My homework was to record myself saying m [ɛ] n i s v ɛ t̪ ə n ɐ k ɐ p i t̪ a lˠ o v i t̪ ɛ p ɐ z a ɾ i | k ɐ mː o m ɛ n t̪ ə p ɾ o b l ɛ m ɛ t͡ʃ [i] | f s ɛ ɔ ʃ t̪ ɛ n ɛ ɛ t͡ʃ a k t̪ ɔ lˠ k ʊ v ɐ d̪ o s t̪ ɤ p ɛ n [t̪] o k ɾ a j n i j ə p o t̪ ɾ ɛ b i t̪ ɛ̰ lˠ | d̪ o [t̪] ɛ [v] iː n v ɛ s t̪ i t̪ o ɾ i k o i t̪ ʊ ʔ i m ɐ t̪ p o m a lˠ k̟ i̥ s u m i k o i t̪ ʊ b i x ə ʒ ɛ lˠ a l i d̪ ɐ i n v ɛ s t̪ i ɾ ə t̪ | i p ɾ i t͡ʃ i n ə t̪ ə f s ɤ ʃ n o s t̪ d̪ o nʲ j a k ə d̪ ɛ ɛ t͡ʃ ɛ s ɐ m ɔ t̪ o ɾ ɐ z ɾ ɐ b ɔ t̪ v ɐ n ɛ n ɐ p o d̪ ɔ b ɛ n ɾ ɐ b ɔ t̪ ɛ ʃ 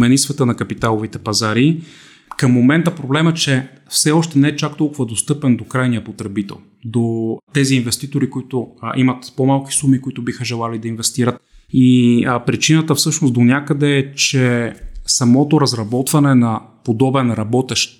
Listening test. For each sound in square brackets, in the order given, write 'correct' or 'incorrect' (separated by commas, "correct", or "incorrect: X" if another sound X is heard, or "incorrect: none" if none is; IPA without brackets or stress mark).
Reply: correct, incorrect: ɛ, incorrect: d̪, correct, incorrect: z